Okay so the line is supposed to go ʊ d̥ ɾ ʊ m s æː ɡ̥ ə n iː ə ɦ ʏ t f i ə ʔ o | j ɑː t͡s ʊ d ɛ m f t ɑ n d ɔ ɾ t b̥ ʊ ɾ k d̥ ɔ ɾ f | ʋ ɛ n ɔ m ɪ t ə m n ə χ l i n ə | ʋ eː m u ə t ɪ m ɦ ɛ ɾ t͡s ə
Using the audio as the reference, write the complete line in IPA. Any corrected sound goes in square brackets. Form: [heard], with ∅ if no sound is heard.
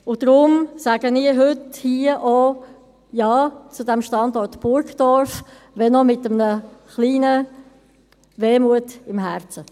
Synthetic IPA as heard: ʊ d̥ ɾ ʊ m s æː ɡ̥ ə n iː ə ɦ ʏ t [h] i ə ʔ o | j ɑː t͡s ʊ d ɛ m [ʃ] t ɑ n d ɔ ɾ t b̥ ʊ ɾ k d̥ ɔ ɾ f | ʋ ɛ n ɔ m ɪ t ə m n ə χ l [iː] n ə | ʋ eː m u ə t ɪ m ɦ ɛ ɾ t͡s ə